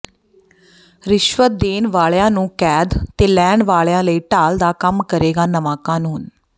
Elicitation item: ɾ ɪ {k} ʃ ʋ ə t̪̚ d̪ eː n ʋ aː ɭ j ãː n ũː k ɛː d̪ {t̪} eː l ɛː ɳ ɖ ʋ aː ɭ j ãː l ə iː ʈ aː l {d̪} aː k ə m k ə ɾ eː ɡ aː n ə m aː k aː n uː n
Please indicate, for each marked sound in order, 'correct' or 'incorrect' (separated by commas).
incorrect, correct, correct